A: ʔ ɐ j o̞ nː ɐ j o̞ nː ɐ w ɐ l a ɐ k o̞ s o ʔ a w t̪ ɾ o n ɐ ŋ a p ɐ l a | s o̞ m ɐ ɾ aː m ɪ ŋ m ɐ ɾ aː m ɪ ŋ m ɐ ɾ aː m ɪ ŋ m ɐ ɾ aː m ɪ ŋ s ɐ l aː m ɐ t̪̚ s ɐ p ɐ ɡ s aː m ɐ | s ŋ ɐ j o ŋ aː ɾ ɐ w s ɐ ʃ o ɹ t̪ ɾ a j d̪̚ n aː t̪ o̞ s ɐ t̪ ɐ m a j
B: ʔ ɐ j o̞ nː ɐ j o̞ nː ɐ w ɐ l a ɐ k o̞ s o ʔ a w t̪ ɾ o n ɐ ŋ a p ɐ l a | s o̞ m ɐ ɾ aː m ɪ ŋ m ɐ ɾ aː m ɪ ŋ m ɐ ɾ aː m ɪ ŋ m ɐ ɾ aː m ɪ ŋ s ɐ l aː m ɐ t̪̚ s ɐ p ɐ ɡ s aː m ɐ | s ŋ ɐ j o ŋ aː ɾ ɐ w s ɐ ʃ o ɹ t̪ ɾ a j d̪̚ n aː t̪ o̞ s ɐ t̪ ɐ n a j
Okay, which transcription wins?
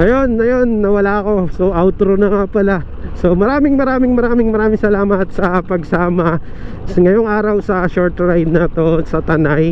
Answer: B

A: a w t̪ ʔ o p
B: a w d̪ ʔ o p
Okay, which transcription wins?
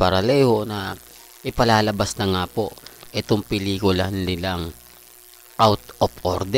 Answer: A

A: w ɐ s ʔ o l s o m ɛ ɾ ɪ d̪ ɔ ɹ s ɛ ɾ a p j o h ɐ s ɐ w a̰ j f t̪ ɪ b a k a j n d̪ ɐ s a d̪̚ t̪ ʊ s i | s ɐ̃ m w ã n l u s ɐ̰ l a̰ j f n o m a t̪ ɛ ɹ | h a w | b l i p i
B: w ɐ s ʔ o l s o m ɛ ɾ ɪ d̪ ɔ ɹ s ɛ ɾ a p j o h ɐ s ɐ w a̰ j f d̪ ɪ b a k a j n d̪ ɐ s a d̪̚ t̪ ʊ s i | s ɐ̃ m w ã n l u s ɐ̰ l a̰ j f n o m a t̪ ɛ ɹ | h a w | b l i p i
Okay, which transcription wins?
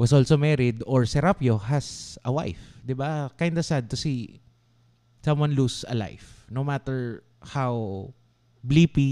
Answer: B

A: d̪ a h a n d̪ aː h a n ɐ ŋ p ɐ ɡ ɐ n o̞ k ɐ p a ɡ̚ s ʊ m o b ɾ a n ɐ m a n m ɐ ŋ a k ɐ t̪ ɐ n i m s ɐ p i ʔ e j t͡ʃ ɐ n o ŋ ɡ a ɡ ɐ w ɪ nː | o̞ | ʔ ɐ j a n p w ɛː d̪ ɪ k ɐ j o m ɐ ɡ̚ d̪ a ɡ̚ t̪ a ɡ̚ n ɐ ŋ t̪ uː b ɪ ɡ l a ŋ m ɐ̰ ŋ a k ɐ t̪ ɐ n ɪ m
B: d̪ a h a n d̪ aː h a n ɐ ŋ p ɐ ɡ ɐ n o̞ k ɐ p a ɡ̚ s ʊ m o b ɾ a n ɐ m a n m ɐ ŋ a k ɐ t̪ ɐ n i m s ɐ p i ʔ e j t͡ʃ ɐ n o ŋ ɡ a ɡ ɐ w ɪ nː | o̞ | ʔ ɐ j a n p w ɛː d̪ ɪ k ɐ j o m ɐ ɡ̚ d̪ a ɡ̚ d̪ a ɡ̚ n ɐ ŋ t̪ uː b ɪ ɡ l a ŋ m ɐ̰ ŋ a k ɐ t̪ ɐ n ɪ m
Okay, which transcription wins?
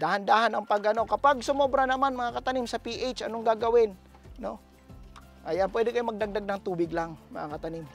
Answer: B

